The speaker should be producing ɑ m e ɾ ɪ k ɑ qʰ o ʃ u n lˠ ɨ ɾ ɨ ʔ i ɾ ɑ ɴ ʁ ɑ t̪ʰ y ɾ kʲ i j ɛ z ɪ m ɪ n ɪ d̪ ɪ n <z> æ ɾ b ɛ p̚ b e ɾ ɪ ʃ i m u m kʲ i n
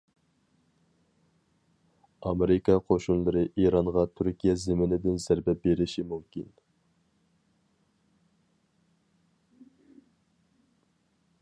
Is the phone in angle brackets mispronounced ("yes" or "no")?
no